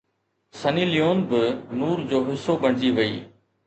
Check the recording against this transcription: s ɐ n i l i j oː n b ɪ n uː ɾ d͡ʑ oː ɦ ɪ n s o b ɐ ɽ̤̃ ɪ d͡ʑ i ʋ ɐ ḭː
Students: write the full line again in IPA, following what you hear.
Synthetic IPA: s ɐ n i l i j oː n b ɪ n uː ɾ d͡ʑ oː ɦ ɪ s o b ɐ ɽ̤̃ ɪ d͡ʑ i ʋ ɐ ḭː